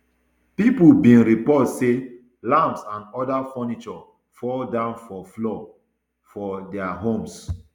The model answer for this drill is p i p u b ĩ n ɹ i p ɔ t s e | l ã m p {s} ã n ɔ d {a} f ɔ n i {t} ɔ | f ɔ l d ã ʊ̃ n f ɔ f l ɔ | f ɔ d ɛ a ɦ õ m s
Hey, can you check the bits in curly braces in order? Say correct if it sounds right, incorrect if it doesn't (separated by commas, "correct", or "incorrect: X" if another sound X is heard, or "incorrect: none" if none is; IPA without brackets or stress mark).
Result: correct, correct, incorrect: t͡ʃ